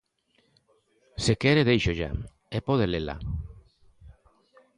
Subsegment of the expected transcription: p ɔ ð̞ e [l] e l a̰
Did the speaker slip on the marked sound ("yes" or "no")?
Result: no